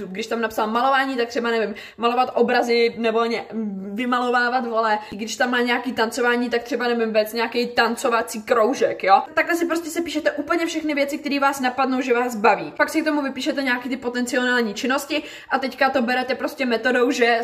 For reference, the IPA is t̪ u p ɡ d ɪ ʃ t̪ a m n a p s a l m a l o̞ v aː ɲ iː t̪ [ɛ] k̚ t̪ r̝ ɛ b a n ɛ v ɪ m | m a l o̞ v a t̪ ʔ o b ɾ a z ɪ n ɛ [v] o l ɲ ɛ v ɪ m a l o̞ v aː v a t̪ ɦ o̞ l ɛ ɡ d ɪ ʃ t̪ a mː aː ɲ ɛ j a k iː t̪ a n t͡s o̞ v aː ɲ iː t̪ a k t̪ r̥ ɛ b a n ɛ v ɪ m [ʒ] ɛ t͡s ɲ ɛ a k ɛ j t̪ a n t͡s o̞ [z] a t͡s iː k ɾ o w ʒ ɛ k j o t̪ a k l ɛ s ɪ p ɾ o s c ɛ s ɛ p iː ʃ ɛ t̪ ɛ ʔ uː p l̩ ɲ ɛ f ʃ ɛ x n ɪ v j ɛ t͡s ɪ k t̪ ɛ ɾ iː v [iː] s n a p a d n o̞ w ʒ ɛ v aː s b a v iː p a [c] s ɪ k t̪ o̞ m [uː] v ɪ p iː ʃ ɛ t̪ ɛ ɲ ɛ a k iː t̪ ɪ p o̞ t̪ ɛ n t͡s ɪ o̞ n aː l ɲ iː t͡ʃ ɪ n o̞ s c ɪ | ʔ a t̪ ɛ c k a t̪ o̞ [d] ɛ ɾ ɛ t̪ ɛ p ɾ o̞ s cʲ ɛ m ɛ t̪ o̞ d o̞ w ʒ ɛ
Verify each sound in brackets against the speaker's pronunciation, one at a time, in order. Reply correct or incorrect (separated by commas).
incorrect, correct, incorrect, incorrect, incorrect, incorrect, incorrect, incorrect